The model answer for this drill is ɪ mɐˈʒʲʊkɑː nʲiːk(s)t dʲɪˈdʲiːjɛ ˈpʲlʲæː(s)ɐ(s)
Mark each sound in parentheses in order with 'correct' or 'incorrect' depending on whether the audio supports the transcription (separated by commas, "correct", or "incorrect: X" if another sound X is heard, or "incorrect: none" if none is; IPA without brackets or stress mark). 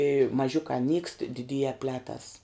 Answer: correct, incorrect: t, correct